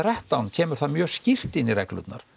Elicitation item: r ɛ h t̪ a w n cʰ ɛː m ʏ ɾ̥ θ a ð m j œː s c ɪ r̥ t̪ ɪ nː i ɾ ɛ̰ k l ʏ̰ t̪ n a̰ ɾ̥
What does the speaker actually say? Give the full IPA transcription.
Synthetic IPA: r ɛ h t̪ a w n cʰ ɛː m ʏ ɾ̥ θ a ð m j œː s c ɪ r̥ t̪ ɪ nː i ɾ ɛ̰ k l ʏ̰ t̪ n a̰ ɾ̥

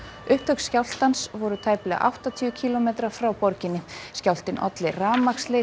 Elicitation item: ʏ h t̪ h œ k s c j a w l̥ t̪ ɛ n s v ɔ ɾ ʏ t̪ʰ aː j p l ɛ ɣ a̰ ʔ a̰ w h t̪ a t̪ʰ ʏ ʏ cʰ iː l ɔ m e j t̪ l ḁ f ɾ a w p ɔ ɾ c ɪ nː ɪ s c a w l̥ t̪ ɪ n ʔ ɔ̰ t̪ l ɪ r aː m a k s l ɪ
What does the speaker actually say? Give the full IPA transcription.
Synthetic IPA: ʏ h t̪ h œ k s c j a w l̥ t̪ a n s v ɔ ɾ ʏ t̪ʰ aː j p l ɛ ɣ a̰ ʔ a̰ w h t̪ a t̪ʰ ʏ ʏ cʰ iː l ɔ m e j t̪ ɾ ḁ f ɾ a w p ɔ ɾ c ɪ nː ɪ s c a w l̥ t̪ ɪ n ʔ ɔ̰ t̪ l ɪ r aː m a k s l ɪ

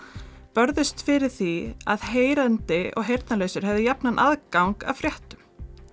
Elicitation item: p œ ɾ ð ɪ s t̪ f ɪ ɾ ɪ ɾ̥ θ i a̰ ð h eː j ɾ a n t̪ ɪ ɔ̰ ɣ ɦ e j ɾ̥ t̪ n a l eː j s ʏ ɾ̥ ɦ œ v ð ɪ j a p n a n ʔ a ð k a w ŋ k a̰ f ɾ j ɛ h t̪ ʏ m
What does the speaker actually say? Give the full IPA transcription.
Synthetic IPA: p œ ɾ ð ɪ s t̪ f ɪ ɾ ɪ ɾ̥ θ i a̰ ð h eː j ɾ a n t̪ ɪ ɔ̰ ɣ ɦ e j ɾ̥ t̪ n a l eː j s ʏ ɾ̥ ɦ ɛ v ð ɪ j a p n a n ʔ a ð k a w ŋ k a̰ f ɾ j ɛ h t̪ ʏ m

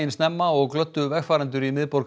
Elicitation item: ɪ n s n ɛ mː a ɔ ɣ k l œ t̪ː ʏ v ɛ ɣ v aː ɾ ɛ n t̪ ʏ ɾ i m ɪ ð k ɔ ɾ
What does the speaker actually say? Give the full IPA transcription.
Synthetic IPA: ɪ n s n ɛ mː a ɔ ɣ k l œ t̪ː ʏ v ɛ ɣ f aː ɾ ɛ n t̪ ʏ ɾ i m ɪ ð p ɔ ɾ

